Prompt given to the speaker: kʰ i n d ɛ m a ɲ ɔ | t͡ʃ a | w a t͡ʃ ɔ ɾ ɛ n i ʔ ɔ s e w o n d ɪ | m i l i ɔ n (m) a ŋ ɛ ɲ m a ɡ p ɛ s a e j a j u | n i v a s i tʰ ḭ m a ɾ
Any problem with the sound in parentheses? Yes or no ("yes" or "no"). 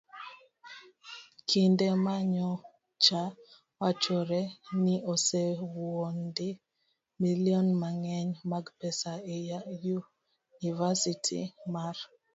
no